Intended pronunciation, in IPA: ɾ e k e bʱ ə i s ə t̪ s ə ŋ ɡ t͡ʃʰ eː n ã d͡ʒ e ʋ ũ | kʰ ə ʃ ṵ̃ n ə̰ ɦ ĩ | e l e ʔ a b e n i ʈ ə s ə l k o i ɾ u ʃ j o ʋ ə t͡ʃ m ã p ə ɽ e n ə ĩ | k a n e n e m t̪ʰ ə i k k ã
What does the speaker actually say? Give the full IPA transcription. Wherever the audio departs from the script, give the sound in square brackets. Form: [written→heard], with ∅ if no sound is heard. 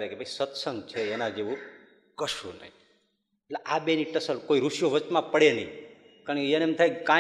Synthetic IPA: ɾ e k e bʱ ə i s ə t̪ s ə ŋ ɡ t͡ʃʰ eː n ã d͡ʒ e ʋ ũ | [kʰ→k] ə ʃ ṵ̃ n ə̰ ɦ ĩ | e l e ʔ a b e n i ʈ ə s ə l k o i ɾ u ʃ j o ʋ ə t͡ʃ m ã p ə ɽ e n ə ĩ | k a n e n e m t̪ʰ [ə→a] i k k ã